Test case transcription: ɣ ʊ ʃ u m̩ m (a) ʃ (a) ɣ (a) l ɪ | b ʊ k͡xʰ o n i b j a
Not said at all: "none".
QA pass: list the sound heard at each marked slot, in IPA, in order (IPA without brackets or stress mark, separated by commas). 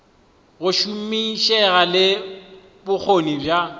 i, ɛ, a